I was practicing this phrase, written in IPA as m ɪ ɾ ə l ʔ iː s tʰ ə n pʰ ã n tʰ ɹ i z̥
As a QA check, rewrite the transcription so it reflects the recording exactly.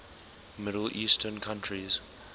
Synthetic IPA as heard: m ɪ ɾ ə l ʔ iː s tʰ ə n kʰ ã n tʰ ɹ i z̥